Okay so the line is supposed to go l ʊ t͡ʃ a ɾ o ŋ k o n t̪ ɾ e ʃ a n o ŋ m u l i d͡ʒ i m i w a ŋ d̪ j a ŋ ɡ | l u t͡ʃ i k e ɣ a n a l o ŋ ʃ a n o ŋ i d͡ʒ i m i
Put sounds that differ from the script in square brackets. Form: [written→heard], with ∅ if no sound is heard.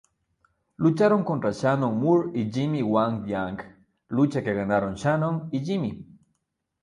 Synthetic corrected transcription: l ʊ t͡ʃ a ɾ o ŋ k o n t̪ ɾ [e→a] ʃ a n o ŋ m u [l→ɾ] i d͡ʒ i m i w a ŋ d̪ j a ŋ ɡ | l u t͡ʃ [i→a] k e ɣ a n a [l→ɾ] o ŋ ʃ a n o ŋ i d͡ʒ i m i